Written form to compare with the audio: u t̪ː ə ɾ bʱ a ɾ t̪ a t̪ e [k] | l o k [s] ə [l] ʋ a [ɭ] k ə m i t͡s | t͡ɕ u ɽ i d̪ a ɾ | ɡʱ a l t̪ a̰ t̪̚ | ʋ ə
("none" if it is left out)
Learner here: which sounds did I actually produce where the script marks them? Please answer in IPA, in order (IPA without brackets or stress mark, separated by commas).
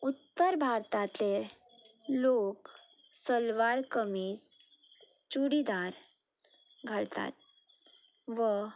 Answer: none, s, l, ɾ